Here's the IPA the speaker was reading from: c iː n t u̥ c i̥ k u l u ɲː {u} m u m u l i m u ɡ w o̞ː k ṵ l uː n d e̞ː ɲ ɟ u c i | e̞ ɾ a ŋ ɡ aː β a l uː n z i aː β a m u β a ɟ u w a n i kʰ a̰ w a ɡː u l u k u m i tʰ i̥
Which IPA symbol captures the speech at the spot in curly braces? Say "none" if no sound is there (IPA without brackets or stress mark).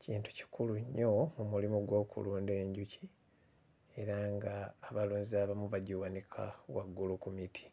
o